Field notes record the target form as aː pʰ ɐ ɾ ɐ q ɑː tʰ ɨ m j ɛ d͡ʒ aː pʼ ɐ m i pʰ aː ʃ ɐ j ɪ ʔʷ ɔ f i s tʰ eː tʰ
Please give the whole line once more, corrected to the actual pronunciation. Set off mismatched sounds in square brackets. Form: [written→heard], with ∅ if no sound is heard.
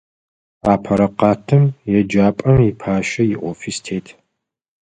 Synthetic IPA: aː pʰ ɐ ɾ ɐ q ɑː tʰ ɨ m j ɛ d͡ʒ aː pʼ ɐ m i pʰ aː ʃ ɐ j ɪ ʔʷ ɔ f i s tʰ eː tʰ